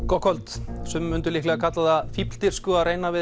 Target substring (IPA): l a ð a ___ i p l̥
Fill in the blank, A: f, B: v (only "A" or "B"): A